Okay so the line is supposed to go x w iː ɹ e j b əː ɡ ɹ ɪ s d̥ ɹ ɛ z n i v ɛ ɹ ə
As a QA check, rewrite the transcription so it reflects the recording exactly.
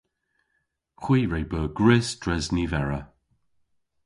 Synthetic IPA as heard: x w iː ɹ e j b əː ɡ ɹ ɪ s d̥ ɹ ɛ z n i v ɛ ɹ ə